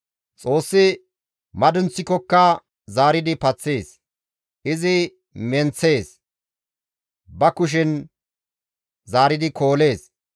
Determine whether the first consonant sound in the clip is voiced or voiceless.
voiceless